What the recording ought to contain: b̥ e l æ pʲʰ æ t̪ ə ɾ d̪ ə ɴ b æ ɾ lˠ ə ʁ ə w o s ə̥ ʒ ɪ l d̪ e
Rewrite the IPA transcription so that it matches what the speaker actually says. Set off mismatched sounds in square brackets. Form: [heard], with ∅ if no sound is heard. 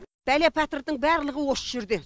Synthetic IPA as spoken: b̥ [æ] l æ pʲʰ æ t̪ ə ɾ d̪ ə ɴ b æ ɾ lˠ ə ʁ ə w o s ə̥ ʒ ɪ [ɾ] d̪ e

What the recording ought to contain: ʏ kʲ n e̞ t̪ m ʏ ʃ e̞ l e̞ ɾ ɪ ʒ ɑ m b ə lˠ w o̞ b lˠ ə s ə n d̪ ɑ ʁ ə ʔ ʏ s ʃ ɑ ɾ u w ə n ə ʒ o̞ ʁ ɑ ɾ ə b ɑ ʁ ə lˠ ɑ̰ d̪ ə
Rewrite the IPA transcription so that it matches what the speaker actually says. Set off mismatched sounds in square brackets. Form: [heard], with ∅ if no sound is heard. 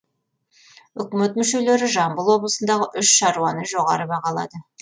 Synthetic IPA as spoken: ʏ kʲ [m] e̞ t̪ m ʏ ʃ e̞ l e̞ ɾ ɪ ʒ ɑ m b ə lˠ w o̞ b lˠ ə s ə n d̪ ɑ ʁ ə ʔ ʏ [ʃ] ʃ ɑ ɾ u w [ɑ] n ə ʒ o̞ ʁ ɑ ɾ ə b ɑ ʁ [ɑ] lˠ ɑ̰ d̪ ə

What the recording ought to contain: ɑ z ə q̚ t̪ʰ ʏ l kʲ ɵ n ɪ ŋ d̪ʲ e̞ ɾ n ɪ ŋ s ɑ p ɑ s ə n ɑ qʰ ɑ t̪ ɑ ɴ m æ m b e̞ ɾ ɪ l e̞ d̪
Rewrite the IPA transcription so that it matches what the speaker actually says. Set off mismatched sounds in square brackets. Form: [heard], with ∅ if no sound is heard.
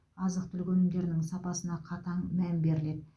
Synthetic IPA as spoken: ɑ z ə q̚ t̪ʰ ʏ l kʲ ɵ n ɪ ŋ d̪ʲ e̞ ɾ n ɪ ŋ s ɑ p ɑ s ə n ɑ qʰ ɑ t̪ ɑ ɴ m æ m b e̞ ɾ ɪ l e̞ d̪

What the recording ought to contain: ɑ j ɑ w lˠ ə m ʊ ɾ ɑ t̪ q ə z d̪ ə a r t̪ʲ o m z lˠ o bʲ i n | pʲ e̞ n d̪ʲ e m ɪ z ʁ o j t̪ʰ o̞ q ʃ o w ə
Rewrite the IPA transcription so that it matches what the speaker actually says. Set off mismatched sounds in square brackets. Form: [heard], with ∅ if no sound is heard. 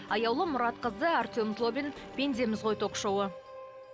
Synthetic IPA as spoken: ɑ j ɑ w lˠ ə m ʊ ɾ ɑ t̪ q ə z d̪ ə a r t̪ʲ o m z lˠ o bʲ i n | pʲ e̞ n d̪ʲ e m ɪ z ʁ o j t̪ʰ o̞ q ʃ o w ə

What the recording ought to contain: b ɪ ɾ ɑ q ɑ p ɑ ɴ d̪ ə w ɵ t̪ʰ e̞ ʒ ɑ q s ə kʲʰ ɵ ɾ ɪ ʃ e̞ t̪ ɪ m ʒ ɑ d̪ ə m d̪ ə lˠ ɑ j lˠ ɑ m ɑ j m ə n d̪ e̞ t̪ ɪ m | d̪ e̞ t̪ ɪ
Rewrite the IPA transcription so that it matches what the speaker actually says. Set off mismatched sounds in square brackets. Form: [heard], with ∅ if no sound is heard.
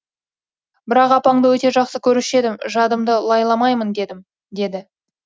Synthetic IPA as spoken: b ɪ ɾ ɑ q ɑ p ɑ ɴ d̪ ə w ɵ [t̪] e̞ ʒ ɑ q s ə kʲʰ ɵ ɾ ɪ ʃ e̞ [d̪] ɪ m ʒ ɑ d̪ ə m d̪ ə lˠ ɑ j lˠ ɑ m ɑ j m ə n d̪ e̞ [d̪] ɪ m | d̪ e̞ [d̪] ɪ

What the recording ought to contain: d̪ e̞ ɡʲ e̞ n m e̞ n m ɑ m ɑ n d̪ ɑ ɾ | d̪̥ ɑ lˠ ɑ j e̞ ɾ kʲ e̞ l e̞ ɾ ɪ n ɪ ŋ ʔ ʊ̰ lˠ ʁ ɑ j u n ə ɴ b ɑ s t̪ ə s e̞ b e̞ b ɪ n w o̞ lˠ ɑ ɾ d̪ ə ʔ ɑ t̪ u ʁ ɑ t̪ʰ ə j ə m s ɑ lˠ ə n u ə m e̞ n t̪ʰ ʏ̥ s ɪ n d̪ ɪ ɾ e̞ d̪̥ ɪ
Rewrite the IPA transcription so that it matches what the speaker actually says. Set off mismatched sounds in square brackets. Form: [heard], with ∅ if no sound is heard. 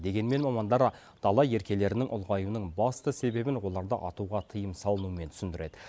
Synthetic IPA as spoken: d̪ e̞ ɡʲ e̞ n m e̞ n m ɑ m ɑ n d̪ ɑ ɾ | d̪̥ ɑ lˠ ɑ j e̞ ɾ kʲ e̞ l e̞ ɾ ɪ n ɪ ŋ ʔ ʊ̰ lˠ ʁ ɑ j u n ə ɴ b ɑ s t̪ ə s e̞ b e̞ b ɪ n w o̞ lˠ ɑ ɾ d̪ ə ʔ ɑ t̪ u ʁ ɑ t̪ʰ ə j ə m s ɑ lˠ ə n u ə m e̞ n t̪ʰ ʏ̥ s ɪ n d̪ ɪ ɾ e̞ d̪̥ ɪ

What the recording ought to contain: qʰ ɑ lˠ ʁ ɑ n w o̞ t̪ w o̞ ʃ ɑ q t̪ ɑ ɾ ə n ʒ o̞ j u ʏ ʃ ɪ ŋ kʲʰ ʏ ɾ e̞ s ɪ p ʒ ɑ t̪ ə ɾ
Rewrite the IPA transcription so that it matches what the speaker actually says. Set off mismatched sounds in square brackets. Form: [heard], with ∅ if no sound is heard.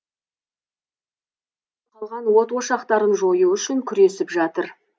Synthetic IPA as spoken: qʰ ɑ lˠ ʁ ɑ n w o̞ t̪ w o̞ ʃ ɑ q t̪ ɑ ɾ ə n ʒ o̞ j u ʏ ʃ ɪ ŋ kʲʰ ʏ ɾ e̞ s ɪ p ʒ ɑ t̪ ə ɾ

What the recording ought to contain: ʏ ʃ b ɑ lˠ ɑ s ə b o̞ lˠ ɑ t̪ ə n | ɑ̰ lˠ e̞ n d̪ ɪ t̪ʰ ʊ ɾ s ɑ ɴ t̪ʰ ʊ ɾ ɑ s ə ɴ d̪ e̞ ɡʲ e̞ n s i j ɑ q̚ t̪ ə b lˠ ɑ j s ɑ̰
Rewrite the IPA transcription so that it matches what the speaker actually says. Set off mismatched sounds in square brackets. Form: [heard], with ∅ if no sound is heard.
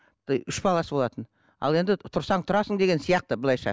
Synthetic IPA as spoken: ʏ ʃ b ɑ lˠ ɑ s ə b o̞ lˠ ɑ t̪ ə n | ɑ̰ lˠ e̞ n d̪ ɪ t̪ʰ ʊ ɾ s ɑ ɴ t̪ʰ ʊ ɾ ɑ s ə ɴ d̪ e̞ ɡʲ e̞ n s i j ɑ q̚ t̪ ə b lˠ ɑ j [ʃ] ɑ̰

